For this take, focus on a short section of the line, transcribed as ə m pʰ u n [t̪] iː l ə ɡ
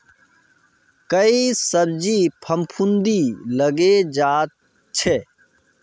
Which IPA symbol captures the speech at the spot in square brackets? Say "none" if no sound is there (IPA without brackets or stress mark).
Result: d̪